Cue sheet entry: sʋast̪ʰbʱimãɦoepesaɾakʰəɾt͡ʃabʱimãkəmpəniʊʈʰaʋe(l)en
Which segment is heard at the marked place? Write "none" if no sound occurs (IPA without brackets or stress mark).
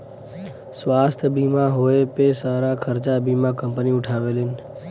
l